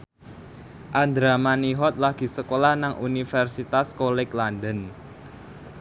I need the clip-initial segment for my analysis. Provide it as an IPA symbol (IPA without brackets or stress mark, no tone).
ʔ